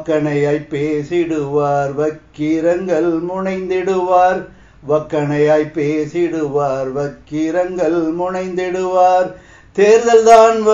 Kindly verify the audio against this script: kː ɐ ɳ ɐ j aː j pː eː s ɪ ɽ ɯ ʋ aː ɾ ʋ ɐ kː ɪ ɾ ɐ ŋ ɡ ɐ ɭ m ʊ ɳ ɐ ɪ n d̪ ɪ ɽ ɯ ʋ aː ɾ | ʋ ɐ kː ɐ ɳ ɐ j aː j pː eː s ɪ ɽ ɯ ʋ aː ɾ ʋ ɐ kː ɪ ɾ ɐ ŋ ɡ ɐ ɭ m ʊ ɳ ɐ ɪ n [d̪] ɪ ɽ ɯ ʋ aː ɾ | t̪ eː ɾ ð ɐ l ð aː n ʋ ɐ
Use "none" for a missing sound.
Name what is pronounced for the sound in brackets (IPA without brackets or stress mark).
d̪